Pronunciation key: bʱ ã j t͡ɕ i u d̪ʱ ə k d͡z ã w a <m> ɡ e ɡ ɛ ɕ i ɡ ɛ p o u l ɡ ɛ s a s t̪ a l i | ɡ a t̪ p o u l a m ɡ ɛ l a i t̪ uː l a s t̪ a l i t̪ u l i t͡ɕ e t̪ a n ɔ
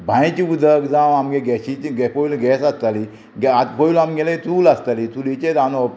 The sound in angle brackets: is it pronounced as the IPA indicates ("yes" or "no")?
yes